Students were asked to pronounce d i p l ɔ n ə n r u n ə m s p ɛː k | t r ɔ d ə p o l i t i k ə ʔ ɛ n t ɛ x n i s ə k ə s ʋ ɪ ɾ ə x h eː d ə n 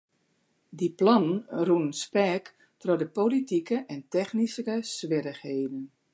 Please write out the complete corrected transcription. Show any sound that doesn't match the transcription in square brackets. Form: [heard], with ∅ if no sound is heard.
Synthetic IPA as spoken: d i p l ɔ n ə n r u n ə [n] s p ɛː k | t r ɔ d ə p o l i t i k ə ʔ ɛ n t ɛ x n i s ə k ə s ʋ ɪ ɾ ə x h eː d ə n